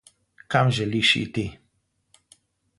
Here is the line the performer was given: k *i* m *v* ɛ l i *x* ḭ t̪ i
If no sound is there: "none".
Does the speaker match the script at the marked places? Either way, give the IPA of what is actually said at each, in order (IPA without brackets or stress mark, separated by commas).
a, ʒ, ʃ